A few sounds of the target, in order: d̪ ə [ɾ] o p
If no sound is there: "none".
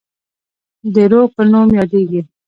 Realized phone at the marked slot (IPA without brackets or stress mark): ɾ